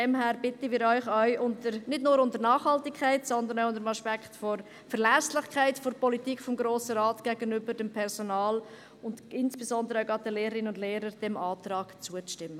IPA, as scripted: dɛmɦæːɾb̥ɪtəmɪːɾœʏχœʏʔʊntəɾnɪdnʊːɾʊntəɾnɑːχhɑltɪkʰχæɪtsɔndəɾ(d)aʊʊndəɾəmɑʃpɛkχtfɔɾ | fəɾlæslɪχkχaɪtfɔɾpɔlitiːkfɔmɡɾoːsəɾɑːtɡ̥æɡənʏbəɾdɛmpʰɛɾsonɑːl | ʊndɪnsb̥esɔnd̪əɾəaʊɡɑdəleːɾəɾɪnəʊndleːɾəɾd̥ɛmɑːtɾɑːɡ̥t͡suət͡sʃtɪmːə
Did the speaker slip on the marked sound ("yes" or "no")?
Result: yes